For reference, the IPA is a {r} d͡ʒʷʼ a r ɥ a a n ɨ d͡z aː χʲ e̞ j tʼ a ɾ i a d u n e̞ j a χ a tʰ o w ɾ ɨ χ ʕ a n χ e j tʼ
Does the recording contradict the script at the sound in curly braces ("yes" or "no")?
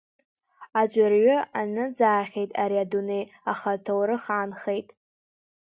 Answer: yes